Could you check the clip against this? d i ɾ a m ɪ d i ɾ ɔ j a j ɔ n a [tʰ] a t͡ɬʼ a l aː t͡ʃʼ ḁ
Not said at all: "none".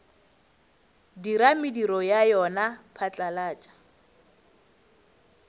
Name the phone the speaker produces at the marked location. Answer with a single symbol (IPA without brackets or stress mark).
pʰ